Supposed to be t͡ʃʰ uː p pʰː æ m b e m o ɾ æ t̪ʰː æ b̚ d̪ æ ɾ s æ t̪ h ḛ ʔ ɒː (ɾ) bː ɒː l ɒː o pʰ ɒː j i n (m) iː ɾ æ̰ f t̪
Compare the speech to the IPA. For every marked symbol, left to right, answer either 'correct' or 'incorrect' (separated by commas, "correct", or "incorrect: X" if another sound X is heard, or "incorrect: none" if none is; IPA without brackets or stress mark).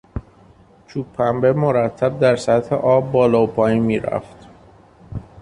incorrect: none, correct